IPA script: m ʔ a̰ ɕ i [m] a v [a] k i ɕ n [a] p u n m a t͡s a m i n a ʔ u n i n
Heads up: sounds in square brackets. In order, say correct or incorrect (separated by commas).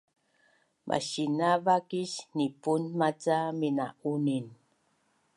incorrect, correct, incorrect